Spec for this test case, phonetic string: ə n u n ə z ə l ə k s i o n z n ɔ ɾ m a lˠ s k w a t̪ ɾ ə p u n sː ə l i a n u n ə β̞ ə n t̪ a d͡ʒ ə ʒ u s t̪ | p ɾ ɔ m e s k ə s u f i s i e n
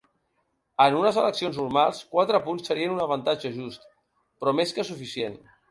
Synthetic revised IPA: ə n u n ə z ə l ə k s i o n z n u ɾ m a lˠ s k w a t̪ ɾ ə p u n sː ə ɾ i ə n u n ə β̞ ə n t̪ a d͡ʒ ə ʒ u s t̪ | p ɾ ɔ m e s k ə s u f i s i e n